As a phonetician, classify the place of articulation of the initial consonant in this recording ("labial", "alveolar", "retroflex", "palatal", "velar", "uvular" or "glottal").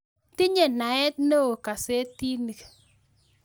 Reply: alveolar